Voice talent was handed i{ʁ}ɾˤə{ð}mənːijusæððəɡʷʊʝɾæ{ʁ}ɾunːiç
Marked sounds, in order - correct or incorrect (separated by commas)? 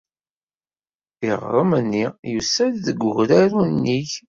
correct, incorrect, incorrect